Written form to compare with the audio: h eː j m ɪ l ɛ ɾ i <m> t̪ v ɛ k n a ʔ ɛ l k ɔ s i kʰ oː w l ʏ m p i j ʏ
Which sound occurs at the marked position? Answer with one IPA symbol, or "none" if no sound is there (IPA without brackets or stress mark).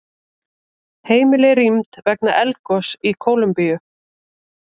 m